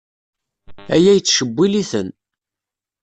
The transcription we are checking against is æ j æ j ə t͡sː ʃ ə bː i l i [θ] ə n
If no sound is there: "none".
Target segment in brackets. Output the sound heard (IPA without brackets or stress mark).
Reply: θ